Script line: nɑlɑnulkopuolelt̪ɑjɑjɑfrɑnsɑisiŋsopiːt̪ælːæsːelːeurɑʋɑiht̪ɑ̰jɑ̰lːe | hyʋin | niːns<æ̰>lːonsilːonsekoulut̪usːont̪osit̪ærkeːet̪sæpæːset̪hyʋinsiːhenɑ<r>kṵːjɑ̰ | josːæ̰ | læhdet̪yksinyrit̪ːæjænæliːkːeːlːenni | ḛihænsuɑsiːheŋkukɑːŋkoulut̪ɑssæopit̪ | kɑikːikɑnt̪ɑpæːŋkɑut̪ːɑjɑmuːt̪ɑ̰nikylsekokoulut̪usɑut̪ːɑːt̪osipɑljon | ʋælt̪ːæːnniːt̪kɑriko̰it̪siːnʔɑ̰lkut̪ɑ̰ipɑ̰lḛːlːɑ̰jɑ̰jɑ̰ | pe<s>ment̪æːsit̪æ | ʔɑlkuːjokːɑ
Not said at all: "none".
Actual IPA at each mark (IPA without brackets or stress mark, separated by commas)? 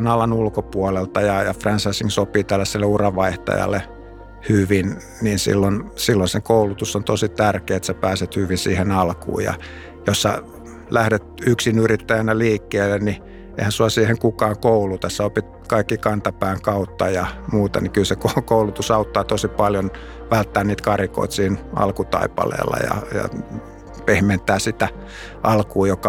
ḭ, l, h